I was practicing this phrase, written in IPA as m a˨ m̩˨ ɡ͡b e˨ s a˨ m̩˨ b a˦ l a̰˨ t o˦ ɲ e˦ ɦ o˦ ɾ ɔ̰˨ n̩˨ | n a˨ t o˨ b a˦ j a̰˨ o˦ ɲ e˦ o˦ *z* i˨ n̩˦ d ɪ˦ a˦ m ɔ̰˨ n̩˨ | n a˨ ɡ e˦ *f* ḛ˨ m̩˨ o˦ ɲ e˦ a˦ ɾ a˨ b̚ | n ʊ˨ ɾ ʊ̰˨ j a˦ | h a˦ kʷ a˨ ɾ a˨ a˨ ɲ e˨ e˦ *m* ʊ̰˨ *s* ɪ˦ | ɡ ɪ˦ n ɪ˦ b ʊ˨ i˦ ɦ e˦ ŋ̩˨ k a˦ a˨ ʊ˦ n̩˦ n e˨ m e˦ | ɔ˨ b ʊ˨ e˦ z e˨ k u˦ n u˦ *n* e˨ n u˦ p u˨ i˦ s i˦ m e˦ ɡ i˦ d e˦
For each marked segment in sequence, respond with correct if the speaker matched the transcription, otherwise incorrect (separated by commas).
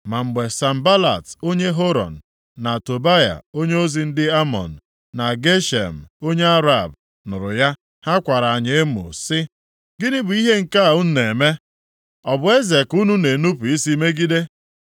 correct, incorrect, correct, correct, correct